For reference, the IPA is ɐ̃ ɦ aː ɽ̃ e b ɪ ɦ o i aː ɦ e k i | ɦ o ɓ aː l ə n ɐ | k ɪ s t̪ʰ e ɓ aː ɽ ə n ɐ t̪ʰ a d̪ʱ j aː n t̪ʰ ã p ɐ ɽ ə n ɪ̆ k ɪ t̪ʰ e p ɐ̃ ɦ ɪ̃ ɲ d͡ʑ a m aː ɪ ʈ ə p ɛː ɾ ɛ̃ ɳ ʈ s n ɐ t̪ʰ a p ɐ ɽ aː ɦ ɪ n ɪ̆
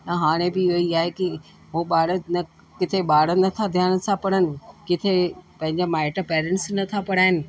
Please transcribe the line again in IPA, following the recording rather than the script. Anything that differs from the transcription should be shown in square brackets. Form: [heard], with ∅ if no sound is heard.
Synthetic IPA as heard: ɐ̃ ɦ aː ɽ̃ e b ɪ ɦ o i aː ɦ e k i | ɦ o ɓ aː [ɽ] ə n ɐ | k ɪ [∅] t̪ʰ e ɓ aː ɽ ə n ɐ t̪ʰ a d̪ʱ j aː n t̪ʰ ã p ɐ ɽ ə n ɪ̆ k ɪ t̪ʰ e p ɐ̃ ɦ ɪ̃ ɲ d͡ʑ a m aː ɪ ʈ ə p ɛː ɾ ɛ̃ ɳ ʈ s n ɐ t̪ʰ a p ɐ ɽ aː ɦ ɪ n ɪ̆